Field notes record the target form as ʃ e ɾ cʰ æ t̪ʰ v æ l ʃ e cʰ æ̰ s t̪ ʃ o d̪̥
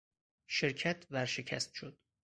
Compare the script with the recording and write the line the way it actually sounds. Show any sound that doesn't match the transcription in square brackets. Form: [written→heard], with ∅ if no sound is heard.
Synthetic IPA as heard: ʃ e ɾ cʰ æ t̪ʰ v æ [l→ɾ] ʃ e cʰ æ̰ s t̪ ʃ o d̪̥

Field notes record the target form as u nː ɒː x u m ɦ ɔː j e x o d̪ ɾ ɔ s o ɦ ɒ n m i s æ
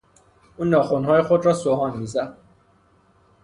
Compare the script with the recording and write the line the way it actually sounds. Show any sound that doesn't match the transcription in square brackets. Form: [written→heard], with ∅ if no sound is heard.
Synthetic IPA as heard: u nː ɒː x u [m→n] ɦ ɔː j e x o d̪ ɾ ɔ s o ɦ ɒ n m i [s→z] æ

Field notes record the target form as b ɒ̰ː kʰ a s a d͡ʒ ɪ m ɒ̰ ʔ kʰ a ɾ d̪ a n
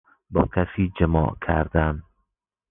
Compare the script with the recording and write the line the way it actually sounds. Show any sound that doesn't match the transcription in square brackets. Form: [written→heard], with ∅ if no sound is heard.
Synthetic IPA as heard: b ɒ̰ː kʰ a s [a→i] d͡ʒ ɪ m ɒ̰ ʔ kʰ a ɾ d̪ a n

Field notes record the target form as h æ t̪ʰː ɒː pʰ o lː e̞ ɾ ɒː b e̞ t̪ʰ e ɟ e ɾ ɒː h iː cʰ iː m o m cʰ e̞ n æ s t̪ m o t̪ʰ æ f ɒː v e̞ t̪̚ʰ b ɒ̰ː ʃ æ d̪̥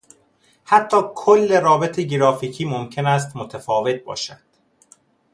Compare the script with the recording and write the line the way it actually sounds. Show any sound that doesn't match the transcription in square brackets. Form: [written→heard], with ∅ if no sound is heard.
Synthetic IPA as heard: h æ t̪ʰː ɒː [pʰ→kʰ] o lː e̞ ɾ ɒː b e̞ t̪ʰ e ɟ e ɾ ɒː [h→f] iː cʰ iː m o m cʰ e̞ n æ s t̪ m o t̪ʰ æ f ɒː v e̞ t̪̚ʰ b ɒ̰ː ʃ æ d̪̥

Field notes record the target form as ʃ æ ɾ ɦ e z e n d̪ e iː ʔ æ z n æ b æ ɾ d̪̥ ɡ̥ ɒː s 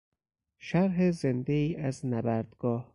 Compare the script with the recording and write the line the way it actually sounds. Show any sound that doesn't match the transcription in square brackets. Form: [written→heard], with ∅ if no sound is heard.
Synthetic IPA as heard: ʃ æ ɾ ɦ e z e n d̪ e iː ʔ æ z n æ b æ ɾ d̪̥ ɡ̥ ɒː [s→h]

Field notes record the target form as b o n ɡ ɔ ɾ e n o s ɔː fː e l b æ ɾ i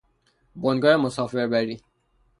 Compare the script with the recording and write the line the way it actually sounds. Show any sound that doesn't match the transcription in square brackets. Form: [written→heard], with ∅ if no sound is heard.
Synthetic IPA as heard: b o n ɡ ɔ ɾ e [n→m] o s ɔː [fː→f] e [l→ɾ] b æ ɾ i

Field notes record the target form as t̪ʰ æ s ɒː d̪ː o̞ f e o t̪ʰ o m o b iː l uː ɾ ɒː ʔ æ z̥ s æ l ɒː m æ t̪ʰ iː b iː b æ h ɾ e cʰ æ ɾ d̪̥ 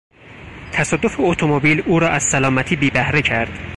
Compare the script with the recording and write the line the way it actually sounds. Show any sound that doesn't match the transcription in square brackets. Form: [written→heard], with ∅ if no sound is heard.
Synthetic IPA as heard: t̪ʰ æ s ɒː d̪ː o̞ f e o t̪ʰ o m o b iː l uː ɾ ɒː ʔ æ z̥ s æ l ɒː m æ t̪ʰ iː b iː b æ h ɾ e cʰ æ ɾ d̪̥

